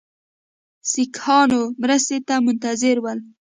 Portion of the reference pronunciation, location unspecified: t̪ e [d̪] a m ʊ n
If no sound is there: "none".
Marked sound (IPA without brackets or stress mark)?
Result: t̪